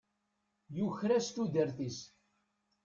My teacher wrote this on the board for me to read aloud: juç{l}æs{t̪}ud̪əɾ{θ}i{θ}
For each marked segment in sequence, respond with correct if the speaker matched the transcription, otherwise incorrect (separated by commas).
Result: incorrect, correct, correct, incorrect